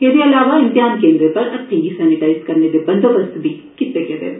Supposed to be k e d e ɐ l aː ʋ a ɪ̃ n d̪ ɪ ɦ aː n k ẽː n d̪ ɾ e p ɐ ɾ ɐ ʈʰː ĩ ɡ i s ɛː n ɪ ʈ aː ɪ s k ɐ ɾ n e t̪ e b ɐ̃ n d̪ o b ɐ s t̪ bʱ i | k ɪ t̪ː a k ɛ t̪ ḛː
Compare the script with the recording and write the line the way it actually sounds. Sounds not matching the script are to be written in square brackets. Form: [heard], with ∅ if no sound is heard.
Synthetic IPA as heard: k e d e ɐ l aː ʋ a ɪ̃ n [t̪] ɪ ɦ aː n k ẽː n d̪ ɾ e p ɐ ɾ ɐ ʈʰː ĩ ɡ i s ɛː n ɪ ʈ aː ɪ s k ɐ ɾ n e [d̪] e b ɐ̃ n d̪ o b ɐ s t̪ bʱ i | k ɪ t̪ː [e] k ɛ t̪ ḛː

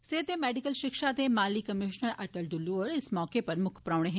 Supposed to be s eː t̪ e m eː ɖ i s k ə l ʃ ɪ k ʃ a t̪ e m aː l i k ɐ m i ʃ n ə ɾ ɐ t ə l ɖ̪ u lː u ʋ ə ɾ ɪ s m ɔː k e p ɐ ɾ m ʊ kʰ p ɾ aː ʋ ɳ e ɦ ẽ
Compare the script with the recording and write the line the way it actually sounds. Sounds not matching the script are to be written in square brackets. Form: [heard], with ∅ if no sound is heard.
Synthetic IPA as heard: s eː t̪ e m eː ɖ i [∅] k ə l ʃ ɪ k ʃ a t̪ e m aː l i k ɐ m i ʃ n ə ɾ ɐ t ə l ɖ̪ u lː u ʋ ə ɾ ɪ s m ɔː k e p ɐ ɾ m ʊ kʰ p ɾ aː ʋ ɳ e ɦ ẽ

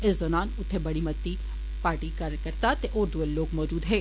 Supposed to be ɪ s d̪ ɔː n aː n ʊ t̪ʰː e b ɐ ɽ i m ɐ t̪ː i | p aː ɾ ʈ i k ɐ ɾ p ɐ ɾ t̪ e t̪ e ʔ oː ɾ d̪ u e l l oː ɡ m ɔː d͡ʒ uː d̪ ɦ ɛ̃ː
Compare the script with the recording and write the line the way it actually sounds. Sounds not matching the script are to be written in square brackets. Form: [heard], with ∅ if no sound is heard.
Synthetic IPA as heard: ɪ s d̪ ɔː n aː n ʊ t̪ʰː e b ɐ ɽ i m ɐ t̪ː i | p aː ɾ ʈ i k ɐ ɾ [k] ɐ ɾ t̪ [a] t̪ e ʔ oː ɾ d̪ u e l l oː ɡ m ɔː d͡ʒ uː d̪ ɦ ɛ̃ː

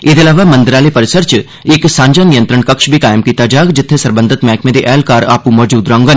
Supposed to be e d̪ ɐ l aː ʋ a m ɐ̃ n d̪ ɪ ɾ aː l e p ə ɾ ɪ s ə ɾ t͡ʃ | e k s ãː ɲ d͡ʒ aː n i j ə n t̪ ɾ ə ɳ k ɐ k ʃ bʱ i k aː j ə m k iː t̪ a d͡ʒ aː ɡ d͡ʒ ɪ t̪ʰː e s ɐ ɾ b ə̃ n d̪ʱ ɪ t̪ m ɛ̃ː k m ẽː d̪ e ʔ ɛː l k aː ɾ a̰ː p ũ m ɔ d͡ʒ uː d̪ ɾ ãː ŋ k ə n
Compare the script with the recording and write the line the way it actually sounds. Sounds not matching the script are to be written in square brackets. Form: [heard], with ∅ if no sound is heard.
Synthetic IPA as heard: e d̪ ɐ l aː ʋ a m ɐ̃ n d̪ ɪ ɾ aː l e p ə ɾ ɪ s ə ɾ t͡ʃ | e k s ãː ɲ d͡ʒ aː n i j ə n t̪ ɾ ə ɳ k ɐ k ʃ bʱ i k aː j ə m k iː t̪ a d͡ʒ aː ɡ d͡ʒ ɪ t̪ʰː e s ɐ ɾ b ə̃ n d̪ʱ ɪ t̪ m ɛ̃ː k m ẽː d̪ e ʔ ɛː l k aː ɾ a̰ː p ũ m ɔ d͡ʒ uː d̪ ɾ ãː ŋ [ɡ] ə n

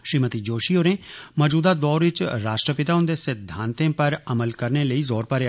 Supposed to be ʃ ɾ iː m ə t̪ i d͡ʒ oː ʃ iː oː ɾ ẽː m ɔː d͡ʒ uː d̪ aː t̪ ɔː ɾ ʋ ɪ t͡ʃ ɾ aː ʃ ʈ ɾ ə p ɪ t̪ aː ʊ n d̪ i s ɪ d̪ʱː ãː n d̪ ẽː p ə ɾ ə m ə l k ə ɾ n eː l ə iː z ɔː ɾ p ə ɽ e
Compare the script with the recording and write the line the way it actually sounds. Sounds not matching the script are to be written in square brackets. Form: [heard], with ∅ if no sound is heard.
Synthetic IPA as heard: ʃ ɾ iː m ə t̪ i d͡ʒ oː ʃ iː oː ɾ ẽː m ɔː d͡ʒ uː d̪ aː [d̪] ɔː ɾ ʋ ɪ t͡ʃ ɾ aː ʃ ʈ ɾ ə p ɪ t̪ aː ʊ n d̪ [e] s ɪ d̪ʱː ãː n [t̪] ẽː p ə ɾ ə m ə l k ə ɾ n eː l ə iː z ɔː ɾ p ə [ɾ] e

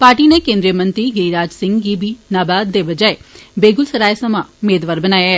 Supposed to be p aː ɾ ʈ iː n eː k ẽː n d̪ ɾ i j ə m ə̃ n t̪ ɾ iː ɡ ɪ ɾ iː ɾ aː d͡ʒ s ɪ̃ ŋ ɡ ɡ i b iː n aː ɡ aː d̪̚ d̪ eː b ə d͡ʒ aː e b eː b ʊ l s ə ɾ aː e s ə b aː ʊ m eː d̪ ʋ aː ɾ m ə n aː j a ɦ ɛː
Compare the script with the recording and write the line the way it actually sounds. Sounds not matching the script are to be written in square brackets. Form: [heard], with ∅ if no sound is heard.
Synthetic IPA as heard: p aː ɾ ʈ iː n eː k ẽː n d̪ ɾ i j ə m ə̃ n t̪ ɾ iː ɡ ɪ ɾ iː ɾ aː d͡ʒ s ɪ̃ ŋ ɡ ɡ i b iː n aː [b] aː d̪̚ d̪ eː b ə d͡ʒ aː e b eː [ɡ] ʊ l s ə ɾ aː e s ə [m] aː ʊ m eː d̪ ʋ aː ɾ [b] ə n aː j a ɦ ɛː

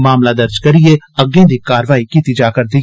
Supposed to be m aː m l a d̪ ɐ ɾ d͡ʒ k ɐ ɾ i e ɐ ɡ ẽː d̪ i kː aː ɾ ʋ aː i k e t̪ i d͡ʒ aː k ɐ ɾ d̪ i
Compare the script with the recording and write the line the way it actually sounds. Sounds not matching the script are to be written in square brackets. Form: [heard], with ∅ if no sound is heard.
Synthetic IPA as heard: m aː m l a d̪ ɐ ɾ d͡ʒ k ɐ ɾ i e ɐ ɡ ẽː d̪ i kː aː ɾ ʋ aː i k [i] t̪ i d͡ʒ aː k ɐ ɾ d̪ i

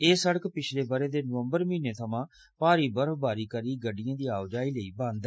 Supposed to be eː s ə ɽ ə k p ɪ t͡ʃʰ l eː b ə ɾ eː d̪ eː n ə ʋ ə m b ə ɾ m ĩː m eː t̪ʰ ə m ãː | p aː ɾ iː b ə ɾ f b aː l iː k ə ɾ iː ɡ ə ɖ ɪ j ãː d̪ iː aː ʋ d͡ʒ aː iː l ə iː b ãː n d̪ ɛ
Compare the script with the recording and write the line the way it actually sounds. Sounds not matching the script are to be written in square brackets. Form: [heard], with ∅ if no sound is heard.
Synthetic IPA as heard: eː s ə ɽ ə k p ɪ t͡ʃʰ l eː b ə ɾ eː d̪ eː n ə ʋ ə m b ə ɾ m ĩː [n] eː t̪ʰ ə m ãː | p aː ɾ iː b ə ɾ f b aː [ɾ] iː k ə ɾ iː ɡ ə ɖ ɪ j ãː d̪ iː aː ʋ d͡ʒ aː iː l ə iː b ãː n d̪ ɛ

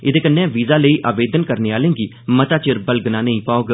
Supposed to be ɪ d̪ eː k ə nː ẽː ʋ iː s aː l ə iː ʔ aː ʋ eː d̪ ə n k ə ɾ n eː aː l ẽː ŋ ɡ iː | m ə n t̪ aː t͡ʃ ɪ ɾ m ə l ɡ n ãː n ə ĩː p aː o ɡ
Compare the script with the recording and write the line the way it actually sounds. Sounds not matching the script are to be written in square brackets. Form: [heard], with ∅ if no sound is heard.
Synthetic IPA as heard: ɪ d̪ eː k ə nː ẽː ʋ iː [z] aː l ə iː ʔ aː ʋ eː d̪ ə n k ə ɾ n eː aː l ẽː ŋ ɡ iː | m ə [∅] t̪ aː t͡ʃ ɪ ɾ [b] ə l ɡ n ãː n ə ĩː p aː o ɡ

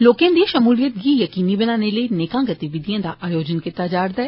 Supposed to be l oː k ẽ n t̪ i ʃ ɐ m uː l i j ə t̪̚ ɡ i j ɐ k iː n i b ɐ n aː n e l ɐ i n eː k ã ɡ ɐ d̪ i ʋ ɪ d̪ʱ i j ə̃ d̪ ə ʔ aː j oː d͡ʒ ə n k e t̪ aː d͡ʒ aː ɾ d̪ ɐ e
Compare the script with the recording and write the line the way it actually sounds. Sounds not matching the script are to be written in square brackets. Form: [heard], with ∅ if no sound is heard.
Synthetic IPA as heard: l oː k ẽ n [d̪] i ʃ ɐ m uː l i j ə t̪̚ ɡ i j ɐ k iː n i b ɐ n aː n e l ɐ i n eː k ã ɡ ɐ [t̪] i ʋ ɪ d̪ʱ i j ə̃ d̪ [a] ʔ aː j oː d͡ʒ ə n k e t̪ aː d͡ʒ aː ɾ d̪ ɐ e

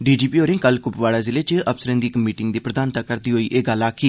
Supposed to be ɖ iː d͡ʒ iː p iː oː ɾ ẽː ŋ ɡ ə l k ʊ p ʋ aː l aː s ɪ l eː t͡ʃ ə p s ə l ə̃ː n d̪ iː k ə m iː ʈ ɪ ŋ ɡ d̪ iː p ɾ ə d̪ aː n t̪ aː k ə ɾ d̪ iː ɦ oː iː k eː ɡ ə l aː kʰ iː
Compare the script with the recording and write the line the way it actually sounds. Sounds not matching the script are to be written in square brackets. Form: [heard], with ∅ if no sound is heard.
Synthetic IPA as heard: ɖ iː d͡ʒ iː p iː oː ɾ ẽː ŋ [k] ə l k ʊ p ʋ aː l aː [z] ɪ l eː t͡ʃ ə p s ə [ɾ] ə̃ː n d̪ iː k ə m iː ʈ ɪ ŋ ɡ d̪ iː p ɾ ə d̪ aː n t̪ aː k ə ɾ d̪ iː ɦ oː iː [ʔ] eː ɡ ə l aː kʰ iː

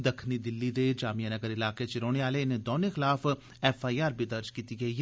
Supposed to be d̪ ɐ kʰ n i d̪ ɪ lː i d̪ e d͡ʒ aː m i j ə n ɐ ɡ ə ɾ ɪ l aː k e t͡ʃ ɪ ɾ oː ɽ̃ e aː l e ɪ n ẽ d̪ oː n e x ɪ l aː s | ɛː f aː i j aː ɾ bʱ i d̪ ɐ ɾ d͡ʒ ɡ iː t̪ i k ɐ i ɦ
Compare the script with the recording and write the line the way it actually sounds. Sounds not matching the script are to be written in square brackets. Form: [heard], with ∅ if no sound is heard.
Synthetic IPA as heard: d̪ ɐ kʰ n i d̪ ɪ lː i d̪ e d͡ʒ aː m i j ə n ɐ ɡ ə ɾ ɪ l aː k e t͡ʃ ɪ ɾ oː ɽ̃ e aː l e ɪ n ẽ d̪ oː n e x ɪ l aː [f] | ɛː f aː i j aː ɾ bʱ i d̪ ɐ ɾ d͡ʒ [k] iː t̪ i [ɡ] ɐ i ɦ

